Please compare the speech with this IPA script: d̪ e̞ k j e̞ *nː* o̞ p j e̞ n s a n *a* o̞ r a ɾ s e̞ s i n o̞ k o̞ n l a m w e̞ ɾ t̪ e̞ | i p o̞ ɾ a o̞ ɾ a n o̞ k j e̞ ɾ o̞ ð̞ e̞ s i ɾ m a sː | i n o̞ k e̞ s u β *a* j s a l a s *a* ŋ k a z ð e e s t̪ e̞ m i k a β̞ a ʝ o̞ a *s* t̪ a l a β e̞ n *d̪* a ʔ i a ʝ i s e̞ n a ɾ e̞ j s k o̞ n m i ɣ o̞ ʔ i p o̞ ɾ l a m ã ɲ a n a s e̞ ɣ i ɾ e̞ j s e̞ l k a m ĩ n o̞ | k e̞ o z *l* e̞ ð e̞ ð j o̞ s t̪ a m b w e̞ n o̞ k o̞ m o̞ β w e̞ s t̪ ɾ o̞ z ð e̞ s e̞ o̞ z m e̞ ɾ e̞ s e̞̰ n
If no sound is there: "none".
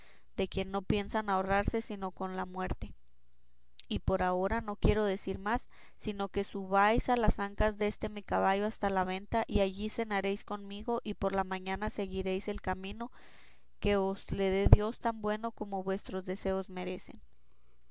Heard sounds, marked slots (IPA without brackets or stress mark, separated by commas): nː, a, a, a, s, t̪, l